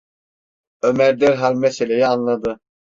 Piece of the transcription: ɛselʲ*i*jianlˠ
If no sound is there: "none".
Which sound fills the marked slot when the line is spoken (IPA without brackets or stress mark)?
e